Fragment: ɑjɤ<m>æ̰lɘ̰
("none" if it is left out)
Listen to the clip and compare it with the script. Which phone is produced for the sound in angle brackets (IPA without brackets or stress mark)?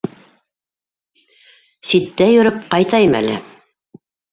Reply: m